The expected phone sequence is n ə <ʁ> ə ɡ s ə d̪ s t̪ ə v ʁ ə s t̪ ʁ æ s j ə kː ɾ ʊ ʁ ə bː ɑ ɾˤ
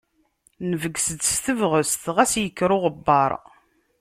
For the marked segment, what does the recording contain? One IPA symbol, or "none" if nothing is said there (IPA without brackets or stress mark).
v